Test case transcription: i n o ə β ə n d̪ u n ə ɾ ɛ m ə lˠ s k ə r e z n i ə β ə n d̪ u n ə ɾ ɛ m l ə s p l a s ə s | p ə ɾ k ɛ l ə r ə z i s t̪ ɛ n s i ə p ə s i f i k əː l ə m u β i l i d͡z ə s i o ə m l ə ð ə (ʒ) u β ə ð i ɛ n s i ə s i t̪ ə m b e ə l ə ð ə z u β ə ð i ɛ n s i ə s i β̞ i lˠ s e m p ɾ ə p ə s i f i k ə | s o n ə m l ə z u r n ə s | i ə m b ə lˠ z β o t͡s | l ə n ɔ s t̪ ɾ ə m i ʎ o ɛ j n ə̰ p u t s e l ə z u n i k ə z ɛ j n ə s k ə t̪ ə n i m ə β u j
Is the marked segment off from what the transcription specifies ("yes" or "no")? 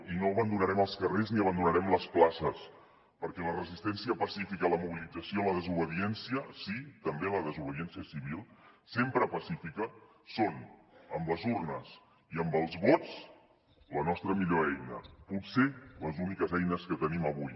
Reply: yes